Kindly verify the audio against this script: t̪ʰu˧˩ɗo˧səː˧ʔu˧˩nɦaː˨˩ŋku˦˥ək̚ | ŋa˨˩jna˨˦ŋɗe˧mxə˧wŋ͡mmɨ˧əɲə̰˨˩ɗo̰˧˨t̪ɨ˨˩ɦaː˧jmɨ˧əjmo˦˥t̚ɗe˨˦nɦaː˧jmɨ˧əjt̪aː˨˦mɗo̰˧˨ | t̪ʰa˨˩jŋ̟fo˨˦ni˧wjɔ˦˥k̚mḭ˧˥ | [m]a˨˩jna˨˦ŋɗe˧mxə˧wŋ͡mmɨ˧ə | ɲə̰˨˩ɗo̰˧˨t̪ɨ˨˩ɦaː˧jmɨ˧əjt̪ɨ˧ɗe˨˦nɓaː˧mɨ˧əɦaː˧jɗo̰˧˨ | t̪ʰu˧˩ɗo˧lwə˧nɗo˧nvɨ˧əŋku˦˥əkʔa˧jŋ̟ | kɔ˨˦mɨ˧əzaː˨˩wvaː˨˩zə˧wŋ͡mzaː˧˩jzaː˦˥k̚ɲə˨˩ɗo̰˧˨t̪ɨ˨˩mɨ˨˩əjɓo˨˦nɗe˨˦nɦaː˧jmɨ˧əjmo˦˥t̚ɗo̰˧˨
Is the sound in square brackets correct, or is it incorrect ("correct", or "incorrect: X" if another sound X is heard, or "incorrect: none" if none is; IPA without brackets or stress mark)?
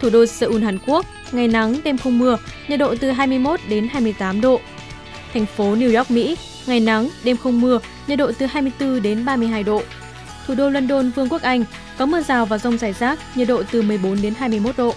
incorrect: ŋ